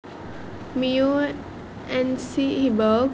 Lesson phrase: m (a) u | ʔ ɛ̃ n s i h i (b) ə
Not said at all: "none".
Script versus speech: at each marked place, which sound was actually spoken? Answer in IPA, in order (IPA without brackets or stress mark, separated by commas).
i, b